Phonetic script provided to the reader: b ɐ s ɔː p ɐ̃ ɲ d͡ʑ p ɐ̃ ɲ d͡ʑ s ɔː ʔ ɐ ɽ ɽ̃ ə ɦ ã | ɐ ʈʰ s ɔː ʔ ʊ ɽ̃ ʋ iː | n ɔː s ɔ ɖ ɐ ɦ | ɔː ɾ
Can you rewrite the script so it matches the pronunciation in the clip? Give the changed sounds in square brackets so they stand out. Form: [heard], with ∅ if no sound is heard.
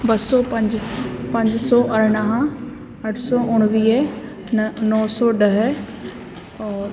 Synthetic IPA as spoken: b ɐ s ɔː p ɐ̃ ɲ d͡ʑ p ɐ̃ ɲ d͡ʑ s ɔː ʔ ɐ [ɾ] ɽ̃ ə ɦ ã | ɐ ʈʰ s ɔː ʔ ʊ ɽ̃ ʋ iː | n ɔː s ɔ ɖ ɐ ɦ | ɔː ɾ